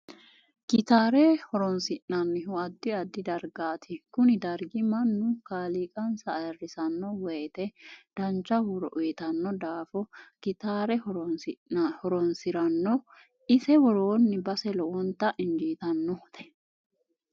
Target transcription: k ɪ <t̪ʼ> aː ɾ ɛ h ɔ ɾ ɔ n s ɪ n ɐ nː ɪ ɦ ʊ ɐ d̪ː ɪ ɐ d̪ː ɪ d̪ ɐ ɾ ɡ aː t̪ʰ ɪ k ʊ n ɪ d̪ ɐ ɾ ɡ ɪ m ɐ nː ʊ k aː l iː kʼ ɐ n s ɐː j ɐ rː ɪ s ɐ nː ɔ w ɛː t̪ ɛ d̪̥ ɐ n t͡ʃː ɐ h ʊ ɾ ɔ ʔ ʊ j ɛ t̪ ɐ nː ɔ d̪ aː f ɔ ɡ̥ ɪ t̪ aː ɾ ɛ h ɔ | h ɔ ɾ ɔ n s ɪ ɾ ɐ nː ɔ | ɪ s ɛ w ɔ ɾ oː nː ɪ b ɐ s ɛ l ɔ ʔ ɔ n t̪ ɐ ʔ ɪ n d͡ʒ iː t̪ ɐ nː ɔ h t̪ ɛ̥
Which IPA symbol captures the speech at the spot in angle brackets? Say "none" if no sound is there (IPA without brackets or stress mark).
t̪